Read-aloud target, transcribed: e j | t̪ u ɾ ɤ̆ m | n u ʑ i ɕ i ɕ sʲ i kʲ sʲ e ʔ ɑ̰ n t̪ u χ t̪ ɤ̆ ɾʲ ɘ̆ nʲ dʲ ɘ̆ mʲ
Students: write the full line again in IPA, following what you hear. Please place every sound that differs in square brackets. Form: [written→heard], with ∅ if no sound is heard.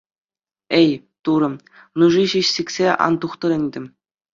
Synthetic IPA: e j | t̪ u ɾ ɤ̆ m | n u [ʑ→ʐ] i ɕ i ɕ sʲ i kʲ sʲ e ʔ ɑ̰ n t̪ u χ t̪ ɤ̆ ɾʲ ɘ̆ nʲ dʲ ɘ̆ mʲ